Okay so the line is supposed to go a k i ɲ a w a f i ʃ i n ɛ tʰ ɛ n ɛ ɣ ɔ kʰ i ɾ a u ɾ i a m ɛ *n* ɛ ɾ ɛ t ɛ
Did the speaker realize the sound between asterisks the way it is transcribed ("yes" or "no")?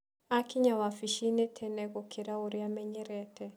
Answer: no